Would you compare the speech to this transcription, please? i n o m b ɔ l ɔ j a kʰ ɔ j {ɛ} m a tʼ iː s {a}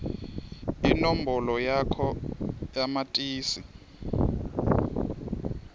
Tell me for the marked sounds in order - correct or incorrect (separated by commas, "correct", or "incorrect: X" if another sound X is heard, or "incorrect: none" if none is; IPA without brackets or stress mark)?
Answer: incorrect: a, incorrect: i